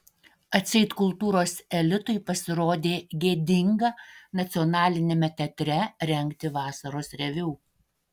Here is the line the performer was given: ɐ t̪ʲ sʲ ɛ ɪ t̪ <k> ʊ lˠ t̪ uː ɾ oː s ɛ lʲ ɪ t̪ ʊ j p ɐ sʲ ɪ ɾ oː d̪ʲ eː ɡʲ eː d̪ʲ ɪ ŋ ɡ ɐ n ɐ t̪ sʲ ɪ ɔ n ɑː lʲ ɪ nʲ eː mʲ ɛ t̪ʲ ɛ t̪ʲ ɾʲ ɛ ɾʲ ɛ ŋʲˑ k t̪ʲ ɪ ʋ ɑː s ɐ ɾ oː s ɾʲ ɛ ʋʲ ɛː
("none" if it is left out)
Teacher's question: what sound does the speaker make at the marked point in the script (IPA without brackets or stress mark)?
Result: k